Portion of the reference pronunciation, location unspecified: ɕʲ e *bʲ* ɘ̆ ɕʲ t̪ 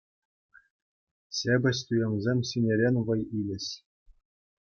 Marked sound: correct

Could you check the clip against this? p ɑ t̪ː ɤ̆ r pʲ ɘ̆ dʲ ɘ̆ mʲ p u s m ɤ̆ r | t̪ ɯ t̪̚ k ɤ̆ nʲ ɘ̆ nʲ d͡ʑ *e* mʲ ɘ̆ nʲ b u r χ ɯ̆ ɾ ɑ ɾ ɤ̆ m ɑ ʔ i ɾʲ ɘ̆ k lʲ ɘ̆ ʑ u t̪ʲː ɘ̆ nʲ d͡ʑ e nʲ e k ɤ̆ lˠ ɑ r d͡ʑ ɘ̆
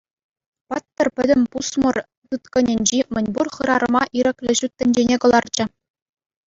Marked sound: incorrect: i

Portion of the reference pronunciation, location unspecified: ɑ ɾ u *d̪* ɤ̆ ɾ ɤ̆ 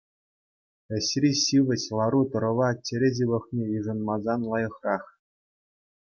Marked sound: incorrect: t̪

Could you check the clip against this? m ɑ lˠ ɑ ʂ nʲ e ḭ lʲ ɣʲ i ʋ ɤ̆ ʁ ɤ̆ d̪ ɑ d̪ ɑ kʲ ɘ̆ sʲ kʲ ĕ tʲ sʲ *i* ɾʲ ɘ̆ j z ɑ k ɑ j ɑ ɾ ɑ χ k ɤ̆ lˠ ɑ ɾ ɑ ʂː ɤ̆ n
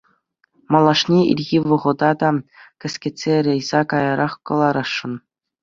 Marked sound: incorrect: e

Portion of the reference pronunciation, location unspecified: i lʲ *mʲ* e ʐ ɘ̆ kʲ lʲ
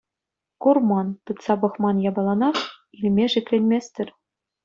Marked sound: correct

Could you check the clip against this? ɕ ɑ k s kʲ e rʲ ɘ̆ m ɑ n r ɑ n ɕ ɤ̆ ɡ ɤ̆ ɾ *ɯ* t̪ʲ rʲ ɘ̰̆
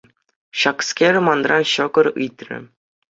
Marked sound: correct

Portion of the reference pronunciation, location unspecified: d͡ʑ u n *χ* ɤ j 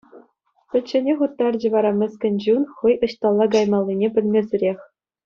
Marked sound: correct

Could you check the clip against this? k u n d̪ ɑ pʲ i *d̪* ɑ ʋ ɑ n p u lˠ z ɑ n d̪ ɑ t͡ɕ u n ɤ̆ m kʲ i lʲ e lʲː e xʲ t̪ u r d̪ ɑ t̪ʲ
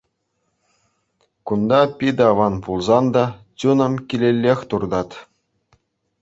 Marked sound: correct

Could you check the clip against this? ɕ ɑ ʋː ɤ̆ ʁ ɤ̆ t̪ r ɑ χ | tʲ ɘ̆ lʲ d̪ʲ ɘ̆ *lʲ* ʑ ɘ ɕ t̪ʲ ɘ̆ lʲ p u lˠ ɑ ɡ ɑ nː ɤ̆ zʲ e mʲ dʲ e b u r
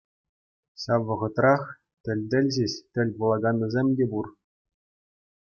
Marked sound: correct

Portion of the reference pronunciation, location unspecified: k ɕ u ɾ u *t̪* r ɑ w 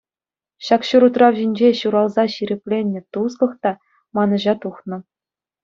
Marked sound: correct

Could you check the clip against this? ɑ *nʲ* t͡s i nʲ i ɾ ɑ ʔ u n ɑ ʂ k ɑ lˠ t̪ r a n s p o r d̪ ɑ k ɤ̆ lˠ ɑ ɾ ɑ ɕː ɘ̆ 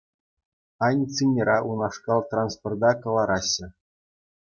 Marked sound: correct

